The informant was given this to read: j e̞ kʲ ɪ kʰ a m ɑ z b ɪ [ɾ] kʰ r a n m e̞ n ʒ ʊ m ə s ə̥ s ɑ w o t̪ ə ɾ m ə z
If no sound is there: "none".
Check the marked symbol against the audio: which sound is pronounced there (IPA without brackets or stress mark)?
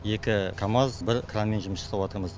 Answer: ɾ